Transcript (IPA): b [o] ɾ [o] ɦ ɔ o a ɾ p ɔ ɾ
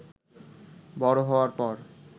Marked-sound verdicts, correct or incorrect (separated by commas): incorrect, correct